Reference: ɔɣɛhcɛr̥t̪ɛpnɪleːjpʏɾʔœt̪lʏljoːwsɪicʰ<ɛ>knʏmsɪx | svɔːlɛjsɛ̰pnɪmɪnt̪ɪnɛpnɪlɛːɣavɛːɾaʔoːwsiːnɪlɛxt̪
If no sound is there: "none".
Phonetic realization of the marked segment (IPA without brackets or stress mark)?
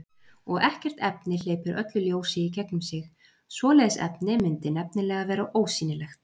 ɛ